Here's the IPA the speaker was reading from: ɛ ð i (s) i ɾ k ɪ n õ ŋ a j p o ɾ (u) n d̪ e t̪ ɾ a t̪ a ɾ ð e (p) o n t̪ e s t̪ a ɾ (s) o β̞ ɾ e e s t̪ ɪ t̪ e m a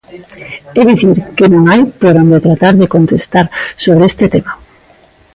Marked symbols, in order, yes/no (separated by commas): no, no, no, yes